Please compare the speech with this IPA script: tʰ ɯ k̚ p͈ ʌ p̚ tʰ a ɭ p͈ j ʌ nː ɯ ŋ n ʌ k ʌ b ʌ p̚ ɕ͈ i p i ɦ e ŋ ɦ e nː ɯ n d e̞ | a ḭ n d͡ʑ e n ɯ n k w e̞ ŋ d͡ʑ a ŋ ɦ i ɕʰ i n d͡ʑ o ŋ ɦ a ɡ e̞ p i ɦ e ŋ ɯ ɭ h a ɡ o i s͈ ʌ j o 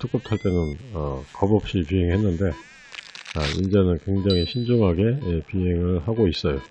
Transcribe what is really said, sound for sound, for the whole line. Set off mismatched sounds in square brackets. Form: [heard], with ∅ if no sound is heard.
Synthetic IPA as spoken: tʰ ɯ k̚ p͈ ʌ p̚ tʰ a ɭ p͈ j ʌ [n] ɯ [∅] n ʌ k ʌ b ʌ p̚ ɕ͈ i p i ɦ e ŋ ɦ e nː ɯ n d e̞ | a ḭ n d͡ʑ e n ɯ n k w e̞ ŋ d͡ʑ a ŋ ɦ i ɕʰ i n d͡ʑ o ŋ ɦ a ɡ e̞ p i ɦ e ŋ ɯ ɭ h a ɡ o i s͈ ʌ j o